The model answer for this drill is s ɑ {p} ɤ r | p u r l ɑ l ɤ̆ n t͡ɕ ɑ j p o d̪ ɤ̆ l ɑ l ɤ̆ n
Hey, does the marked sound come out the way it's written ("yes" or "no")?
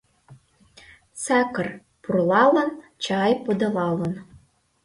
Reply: no